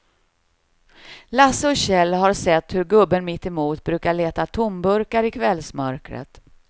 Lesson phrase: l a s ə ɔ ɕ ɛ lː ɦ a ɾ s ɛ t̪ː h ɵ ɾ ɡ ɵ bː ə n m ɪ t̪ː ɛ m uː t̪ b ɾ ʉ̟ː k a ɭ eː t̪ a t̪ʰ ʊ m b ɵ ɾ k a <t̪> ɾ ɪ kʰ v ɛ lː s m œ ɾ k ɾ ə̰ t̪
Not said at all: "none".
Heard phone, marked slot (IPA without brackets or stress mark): none